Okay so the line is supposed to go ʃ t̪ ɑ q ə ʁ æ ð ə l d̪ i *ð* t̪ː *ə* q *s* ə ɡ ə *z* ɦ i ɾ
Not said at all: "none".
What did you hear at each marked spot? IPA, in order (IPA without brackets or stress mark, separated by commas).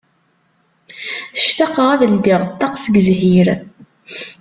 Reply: ʁ, ɑ, s, z